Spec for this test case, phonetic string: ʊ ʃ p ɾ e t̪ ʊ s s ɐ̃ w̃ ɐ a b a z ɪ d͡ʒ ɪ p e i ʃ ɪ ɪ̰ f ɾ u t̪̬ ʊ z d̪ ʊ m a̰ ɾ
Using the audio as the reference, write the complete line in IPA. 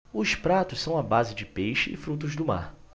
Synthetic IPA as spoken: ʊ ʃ p ɾ a t̪ ʊ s s ɐ̃ w̃ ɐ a b a z ɪ d͡ʒ ɪ p e j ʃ ɪ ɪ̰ f ɾ u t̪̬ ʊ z d̪ ʊ m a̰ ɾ